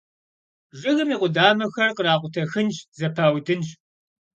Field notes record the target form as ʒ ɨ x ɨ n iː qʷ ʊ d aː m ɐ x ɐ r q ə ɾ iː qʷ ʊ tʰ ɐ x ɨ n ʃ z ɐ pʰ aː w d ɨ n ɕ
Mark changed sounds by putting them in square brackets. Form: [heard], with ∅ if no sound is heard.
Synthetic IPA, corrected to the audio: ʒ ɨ [ɣ] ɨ [m] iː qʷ ʊ d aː m ɐ x ɐ r q ə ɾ [aː] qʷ ʊ tʰ ɐ x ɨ n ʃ z ɐ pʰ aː w d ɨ n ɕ